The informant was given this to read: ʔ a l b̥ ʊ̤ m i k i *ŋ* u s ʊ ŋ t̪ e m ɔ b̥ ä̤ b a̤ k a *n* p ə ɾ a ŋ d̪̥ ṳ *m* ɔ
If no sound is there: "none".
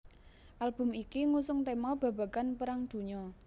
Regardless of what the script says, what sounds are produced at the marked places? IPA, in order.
ŋ, n, ɲ

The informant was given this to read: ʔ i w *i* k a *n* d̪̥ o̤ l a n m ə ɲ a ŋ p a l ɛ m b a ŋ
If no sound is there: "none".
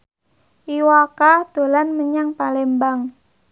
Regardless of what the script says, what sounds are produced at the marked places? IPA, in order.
a, none

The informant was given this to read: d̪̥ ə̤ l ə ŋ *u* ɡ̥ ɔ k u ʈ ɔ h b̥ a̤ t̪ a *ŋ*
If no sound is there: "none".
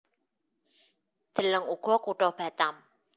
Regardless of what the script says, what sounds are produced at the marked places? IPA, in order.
u, m

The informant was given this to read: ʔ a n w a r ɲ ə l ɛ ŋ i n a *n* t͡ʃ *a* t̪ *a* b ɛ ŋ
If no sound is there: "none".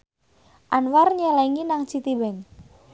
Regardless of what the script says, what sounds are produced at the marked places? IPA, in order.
ŋ, i, i

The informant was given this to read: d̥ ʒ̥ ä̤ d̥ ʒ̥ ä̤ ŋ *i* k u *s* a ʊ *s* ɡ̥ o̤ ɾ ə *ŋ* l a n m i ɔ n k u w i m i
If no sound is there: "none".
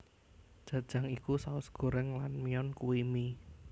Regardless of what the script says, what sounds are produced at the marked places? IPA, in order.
i, s, s, ŋ

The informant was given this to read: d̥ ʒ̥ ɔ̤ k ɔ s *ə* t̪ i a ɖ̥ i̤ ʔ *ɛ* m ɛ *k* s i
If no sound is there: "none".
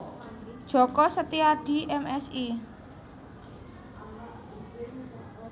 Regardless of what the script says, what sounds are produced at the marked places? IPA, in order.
ə, ɛ, none

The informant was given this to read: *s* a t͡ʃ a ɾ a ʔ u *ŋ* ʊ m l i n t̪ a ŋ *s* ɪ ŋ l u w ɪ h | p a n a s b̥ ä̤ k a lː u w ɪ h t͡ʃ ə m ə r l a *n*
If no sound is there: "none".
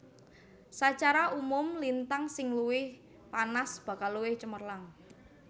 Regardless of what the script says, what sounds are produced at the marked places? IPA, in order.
s, m, s, ŋ

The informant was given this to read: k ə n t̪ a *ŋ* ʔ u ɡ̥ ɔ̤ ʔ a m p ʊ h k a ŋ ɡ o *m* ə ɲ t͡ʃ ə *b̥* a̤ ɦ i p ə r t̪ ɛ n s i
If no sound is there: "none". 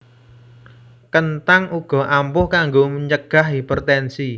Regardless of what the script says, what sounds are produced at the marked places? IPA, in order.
ŋ, m, ɡ̥

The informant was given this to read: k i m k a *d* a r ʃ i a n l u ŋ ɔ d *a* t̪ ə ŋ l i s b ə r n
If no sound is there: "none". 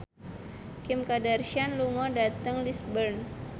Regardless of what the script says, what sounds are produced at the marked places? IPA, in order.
d, a

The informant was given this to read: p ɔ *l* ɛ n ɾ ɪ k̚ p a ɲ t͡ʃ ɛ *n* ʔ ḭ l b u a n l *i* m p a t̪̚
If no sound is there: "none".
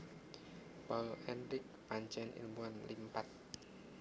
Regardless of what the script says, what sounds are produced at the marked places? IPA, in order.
l, n, i

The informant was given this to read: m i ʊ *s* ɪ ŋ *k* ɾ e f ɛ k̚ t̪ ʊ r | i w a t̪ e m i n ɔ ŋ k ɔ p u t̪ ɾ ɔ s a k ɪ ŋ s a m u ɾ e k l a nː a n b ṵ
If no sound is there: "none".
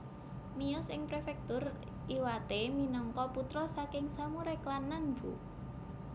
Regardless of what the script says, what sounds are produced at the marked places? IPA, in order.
s, p

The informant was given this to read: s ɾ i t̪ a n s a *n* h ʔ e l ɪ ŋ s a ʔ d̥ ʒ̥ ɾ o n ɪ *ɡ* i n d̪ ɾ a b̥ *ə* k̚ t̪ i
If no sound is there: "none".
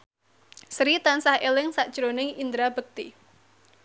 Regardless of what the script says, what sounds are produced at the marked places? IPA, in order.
none, ŋ, ə

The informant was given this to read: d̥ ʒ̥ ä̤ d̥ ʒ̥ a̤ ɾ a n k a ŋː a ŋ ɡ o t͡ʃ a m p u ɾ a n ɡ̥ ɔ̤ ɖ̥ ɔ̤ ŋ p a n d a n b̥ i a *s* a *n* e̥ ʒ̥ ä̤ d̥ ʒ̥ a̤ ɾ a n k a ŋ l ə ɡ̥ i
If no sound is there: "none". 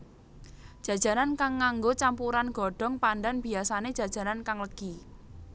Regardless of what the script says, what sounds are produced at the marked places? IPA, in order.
s, n

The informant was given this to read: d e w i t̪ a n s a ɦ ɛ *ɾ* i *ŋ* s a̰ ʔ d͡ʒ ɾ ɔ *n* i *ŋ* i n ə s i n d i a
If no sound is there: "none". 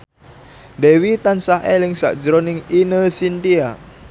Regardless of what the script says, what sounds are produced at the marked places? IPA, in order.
l, ŋ, n, ŋ

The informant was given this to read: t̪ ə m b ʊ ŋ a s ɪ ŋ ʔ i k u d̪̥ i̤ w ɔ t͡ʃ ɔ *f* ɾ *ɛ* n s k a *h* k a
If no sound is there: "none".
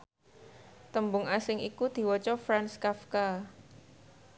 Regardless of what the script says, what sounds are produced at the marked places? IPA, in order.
f, a, f

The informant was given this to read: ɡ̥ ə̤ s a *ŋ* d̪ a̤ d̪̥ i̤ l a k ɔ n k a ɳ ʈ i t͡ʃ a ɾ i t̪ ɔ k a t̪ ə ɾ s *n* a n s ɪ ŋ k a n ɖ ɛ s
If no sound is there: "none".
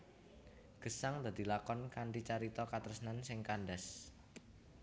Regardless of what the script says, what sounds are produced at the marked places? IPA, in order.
ŋ, n

